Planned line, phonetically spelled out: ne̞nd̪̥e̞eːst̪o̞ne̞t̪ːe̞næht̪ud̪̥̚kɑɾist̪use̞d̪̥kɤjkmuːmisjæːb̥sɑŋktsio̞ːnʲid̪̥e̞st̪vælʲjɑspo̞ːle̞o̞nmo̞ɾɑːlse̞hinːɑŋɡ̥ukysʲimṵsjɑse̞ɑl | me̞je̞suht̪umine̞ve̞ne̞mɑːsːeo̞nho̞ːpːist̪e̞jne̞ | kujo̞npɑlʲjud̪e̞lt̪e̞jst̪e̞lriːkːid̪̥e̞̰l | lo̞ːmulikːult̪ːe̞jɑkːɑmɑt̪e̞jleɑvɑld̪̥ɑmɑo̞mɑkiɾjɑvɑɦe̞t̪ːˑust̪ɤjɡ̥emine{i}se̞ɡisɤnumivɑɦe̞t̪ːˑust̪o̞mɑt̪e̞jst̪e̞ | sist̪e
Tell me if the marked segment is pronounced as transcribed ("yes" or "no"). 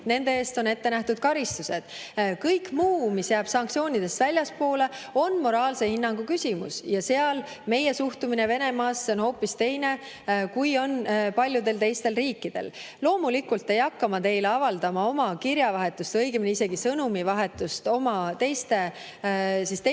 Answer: yes